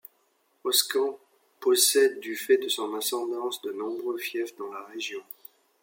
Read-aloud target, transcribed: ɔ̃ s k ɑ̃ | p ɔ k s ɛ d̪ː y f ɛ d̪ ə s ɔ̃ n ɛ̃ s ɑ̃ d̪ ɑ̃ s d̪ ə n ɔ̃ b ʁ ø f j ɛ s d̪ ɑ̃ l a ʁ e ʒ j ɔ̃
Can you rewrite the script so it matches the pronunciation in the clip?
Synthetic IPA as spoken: ɔ s k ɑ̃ | p ɔ s ɛ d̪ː y f ɛ d̪ ə s ɔ̃ n ɛ̃ s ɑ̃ d̪ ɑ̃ s d̪ ə n ɔ̃ b ʁ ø f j ɛ f d̪ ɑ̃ l a ʁ e ʒ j ɔ̃